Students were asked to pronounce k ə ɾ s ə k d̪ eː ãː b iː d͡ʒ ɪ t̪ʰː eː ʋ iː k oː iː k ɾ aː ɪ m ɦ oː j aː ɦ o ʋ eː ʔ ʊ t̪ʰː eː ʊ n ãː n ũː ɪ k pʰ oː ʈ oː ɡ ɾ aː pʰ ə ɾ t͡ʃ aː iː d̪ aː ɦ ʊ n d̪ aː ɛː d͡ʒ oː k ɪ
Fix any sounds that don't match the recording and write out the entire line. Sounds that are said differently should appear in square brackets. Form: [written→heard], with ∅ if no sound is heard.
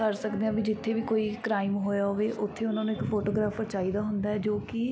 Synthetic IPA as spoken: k ə ɾ s ə k d̪ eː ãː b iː d͡ʒ ɪ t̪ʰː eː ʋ iː k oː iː k ɾ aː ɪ m ɦ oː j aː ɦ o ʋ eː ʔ ʊ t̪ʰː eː ʊ n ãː n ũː ɪ k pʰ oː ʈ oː ɡ ɾ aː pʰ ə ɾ t͡ʃ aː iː d̪ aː ɦ ʊ n d̪ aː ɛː d͡ʒ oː k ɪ